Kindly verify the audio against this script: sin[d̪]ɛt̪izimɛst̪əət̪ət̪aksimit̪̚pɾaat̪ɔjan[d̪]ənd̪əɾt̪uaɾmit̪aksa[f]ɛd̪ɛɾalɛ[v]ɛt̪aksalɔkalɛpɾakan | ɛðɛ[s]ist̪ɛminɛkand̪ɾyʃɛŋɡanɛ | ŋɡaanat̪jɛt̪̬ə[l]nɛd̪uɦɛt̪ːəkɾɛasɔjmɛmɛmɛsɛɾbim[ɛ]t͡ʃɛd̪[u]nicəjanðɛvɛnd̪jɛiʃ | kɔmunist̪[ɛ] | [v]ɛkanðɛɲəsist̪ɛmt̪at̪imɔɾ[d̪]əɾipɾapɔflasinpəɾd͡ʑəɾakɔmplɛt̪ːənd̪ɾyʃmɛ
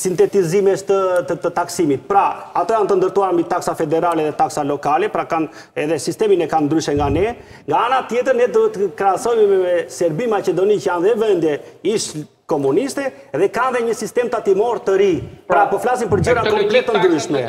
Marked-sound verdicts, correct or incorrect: incorrect, incorrect, correct, incorrect, correct, incorrect, incorrect, incorrect, correct, incorrect, incorrect

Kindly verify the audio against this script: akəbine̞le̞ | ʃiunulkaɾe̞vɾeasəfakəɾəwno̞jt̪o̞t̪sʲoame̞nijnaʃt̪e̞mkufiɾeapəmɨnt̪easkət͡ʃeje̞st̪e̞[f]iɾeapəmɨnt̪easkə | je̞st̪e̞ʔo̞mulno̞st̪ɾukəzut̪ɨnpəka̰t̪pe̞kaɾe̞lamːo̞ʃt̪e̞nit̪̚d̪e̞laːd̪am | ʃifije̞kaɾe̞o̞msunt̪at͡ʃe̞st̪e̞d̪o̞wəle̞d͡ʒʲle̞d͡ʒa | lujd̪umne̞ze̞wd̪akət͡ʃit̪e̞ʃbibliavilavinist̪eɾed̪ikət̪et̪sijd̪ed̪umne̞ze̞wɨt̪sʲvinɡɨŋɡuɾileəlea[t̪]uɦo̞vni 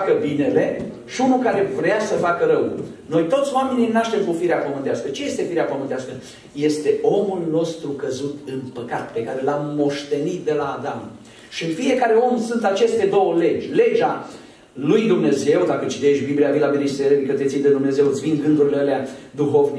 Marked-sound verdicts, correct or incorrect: correct, incorrect

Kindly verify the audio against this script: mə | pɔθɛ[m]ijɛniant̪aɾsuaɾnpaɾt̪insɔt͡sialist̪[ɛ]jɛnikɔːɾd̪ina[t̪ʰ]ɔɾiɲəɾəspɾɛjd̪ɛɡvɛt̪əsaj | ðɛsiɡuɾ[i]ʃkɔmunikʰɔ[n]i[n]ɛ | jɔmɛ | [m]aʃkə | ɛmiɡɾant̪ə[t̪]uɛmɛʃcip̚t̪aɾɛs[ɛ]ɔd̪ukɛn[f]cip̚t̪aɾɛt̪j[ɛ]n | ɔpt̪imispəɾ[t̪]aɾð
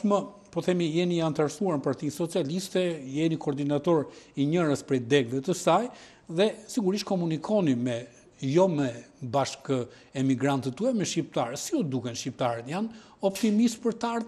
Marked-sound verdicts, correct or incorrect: correct, correct, incorrect, correct, correct, incorrect, incorrect, correct, incorrect, incorrect, incorrect, correct

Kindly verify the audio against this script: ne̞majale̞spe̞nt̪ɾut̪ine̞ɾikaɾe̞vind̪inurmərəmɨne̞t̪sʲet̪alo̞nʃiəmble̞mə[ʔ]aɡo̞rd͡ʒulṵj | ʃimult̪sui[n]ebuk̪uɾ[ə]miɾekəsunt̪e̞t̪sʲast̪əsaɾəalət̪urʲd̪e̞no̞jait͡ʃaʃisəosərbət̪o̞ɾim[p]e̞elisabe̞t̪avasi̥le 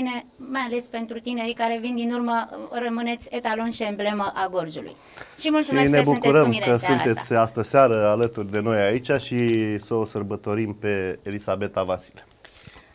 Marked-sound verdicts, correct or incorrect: correct, correct, correct, correct

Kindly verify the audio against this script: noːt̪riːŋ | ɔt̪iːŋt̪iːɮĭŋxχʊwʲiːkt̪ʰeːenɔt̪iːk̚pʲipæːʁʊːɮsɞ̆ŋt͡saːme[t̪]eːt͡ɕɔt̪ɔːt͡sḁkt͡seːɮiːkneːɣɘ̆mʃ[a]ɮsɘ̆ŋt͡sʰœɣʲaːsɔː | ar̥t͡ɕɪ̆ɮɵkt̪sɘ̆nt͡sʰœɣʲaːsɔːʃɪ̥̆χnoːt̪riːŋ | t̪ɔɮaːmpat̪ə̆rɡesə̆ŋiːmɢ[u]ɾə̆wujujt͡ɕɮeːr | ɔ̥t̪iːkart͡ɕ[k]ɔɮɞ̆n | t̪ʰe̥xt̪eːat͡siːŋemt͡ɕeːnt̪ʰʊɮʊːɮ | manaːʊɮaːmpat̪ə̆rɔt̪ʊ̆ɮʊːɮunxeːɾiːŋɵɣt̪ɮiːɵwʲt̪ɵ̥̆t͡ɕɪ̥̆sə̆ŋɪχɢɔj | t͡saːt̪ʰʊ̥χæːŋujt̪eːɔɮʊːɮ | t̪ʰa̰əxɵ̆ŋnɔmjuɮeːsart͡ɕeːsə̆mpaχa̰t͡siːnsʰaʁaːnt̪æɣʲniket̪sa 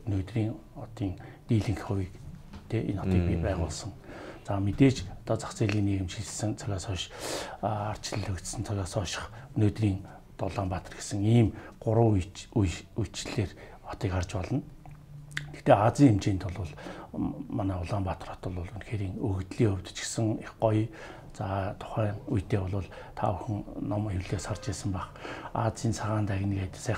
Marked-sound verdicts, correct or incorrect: correct, incorrect, incorrect, incorrect

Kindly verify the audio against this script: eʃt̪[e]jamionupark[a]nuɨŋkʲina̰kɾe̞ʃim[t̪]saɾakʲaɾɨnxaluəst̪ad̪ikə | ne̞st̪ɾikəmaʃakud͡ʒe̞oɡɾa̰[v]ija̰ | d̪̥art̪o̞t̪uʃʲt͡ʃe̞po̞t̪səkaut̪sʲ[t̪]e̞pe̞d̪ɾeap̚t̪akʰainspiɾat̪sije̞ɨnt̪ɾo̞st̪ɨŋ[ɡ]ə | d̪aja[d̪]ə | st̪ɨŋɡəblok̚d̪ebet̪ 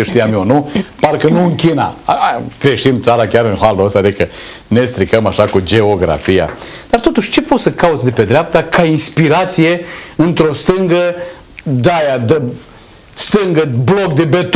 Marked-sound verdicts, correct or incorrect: incorrect, incorrect, correct, incorrect, incorrect, correct, correct

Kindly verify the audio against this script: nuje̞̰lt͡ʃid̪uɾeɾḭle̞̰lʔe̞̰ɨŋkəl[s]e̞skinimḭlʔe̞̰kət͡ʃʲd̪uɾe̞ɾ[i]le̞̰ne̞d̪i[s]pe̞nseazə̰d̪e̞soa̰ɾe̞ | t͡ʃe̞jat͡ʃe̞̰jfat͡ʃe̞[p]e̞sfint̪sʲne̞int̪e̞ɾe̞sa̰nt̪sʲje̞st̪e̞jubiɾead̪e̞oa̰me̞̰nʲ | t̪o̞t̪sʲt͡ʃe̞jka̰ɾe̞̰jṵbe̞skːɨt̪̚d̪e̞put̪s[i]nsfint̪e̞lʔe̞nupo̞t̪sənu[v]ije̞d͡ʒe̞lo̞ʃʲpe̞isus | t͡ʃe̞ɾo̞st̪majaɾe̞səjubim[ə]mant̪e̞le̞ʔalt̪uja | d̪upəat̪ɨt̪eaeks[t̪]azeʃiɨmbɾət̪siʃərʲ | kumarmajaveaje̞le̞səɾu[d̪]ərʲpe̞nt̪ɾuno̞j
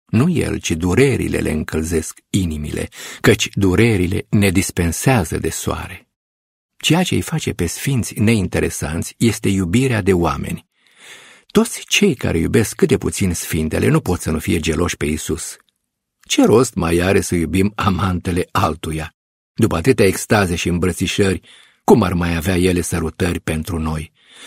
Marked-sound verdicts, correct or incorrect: incorrect, correct, correct, correct, correct, incorrect, incorrect, correct, incorrect

